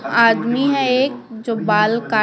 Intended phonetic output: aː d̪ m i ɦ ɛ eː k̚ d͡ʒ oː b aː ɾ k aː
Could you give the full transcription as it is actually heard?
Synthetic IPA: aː d̪ m i ɦ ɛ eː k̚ d͡ʒ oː b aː l k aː